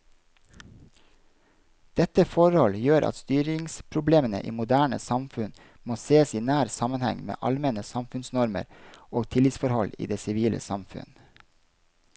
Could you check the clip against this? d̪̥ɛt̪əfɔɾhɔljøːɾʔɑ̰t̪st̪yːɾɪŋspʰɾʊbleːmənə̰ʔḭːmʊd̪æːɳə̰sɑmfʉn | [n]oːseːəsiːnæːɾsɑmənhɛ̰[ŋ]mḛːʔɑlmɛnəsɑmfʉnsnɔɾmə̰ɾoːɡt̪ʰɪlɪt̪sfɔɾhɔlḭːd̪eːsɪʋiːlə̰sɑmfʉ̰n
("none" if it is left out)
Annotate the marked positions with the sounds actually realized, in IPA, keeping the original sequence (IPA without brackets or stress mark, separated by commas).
m, ŋ